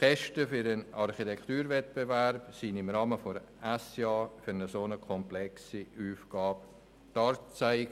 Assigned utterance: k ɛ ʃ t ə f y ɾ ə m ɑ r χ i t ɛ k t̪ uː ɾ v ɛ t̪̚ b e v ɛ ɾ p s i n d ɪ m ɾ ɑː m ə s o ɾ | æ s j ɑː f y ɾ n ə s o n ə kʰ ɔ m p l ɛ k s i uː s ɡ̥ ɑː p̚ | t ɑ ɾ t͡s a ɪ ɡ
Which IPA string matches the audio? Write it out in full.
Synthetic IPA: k ɛ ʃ t ə f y ɾ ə n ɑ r χ i t ɛ k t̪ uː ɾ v ɛ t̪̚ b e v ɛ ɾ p s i n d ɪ m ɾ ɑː m ə f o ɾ | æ s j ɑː f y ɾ n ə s o n ə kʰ ɔ m p l ɛ k s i uː f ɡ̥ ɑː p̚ | t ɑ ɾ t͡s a ɪ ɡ